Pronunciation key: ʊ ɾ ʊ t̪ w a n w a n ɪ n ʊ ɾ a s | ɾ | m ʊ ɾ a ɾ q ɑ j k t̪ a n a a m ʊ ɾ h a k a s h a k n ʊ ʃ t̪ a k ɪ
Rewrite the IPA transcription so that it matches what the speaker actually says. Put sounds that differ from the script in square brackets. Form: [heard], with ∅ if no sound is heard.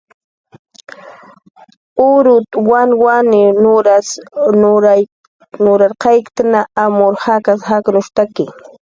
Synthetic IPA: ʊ ɾ ʊ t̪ w a n w a n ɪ n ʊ ɾ a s | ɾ | [n] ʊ ɾ a ɾ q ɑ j k t̪ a n a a m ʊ ɾ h a k a s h a k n ʊ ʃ t̪ a k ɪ